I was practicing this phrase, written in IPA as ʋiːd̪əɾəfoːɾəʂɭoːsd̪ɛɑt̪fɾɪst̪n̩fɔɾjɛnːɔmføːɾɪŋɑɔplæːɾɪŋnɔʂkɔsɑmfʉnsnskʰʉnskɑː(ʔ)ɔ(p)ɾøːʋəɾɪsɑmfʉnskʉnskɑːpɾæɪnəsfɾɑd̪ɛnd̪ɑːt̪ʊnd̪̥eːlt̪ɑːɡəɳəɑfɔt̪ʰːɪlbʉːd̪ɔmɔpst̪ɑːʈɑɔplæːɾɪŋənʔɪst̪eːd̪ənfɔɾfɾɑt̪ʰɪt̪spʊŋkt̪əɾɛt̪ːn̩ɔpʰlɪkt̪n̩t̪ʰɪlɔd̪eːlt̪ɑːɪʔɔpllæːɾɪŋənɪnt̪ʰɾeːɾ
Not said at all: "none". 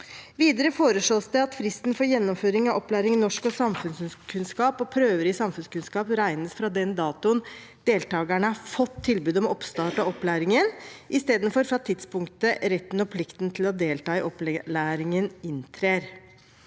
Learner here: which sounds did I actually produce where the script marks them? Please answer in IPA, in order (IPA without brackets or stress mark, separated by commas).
p, pʰ